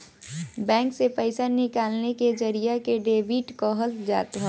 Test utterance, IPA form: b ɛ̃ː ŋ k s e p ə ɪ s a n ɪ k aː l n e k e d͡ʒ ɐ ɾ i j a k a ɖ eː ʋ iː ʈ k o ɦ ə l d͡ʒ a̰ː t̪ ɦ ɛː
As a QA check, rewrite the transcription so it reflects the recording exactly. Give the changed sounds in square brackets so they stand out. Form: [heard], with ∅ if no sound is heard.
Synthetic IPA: b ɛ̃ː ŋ k s e p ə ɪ s a n ɪ k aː l n e k e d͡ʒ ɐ ɾ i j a k [e] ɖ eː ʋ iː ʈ k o ɦ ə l d͡ʒ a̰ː t̪ ɦ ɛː